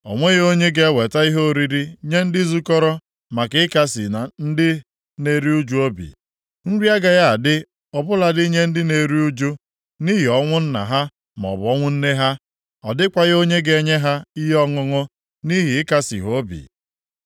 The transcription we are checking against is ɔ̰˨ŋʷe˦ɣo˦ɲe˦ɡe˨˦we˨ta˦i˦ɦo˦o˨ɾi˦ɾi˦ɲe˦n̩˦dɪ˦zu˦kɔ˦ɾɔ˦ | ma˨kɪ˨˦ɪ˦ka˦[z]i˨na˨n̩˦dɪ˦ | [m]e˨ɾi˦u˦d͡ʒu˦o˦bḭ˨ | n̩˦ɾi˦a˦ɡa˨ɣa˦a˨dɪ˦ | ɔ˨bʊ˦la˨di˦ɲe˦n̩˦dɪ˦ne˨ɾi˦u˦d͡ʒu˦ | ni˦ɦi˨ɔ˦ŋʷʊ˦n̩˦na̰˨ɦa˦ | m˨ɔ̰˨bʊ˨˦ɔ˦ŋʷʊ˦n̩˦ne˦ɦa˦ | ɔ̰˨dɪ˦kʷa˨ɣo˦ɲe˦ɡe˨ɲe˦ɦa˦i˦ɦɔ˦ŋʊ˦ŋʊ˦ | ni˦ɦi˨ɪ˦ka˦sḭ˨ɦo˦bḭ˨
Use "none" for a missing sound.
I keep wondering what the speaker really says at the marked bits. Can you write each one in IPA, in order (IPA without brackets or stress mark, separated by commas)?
s, n